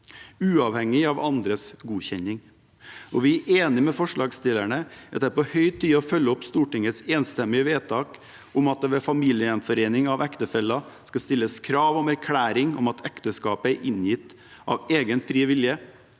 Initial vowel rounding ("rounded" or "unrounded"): rounded